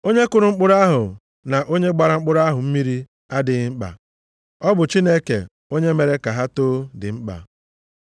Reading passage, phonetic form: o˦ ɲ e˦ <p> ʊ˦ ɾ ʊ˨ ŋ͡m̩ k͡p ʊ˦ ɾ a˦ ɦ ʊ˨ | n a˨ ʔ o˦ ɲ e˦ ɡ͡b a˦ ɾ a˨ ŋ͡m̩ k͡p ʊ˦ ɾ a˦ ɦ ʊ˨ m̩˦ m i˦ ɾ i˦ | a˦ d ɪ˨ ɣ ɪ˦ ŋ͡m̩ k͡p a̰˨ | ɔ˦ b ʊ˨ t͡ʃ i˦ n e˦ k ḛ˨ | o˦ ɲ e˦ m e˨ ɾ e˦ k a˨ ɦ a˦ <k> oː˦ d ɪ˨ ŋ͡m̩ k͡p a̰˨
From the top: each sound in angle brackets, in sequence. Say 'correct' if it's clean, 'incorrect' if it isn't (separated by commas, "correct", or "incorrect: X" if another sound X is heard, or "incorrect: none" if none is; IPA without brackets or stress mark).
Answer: incorrect: k, incorrect: t